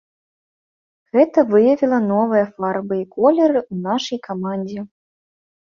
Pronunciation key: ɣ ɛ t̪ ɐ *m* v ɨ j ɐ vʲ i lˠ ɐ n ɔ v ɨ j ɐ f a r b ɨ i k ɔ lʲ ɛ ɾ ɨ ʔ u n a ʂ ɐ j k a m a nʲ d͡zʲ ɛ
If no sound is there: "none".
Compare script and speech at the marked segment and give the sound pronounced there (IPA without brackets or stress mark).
none